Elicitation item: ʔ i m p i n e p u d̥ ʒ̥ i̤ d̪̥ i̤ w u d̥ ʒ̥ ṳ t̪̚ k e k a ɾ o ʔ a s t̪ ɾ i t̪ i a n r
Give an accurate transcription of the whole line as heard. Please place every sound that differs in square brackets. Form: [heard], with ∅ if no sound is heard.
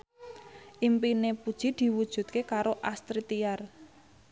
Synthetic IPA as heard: ʔ i m p i n e p u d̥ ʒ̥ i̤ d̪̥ i̤ w u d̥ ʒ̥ ṳ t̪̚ k e k a ɾ o ʔ a s t̪ ɾ i t̪ i a [∅] r